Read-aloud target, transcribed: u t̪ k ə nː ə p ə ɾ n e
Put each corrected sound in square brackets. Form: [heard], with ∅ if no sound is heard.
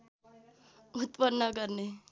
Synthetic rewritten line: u t̪ [p] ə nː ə [k] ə ɾ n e